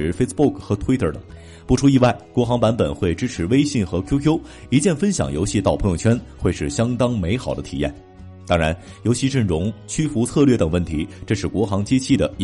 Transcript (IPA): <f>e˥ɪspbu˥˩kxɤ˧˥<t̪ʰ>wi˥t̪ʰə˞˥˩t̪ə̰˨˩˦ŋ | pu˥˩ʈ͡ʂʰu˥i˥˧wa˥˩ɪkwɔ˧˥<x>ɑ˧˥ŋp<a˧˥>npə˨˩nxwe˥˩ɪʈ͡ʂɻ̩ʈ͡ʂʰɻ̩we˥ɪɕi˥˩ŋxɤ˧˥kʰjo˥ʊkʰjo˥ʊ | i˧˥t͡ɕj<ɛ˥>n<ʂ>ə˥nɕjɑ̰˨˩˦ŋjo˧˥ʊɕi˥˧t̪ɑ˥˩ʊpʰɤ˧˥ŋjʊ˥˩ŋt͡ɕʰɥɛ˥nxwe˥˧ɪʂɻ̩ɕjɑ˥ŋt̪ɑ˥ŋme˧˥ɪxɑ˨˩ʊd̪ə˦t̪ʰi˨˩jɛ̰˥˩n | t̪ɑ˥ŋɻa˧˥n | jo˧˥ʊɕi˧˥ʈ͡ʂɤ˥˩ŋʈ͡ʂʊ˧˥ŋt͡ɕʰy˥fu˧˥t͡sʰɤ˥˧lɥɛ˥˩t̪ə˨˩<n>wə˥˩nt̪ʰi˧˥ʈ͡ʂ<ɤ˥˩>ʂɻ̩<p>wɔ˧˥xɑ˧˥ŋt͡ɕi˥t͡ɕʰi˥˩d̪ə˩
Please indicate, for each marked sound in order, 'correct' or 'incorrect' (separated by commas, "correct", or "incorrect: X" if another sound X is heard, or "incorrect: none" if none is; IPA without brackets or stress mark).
correct, correct, correct, correct, incorrect: ɛ˥˩, incorrect: f, incorrect: ŋ, incorrect: ɤ˥˧, incorrect: k